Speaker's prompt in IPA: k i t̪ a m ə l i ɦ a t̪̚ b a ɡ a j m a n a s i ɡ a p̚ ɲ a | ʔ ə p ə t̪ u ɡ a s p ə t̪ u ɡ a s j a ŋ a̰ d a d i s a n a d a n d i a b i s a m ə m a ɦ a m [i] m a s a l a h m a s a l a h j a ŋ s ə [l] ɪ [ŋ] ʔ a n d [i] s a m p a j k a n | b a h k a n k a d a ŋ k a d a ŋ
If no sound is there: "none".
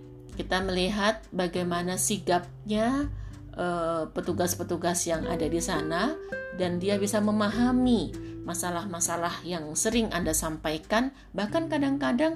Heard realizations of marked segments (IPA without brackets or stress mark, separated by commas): i, ɾ, ŋ, a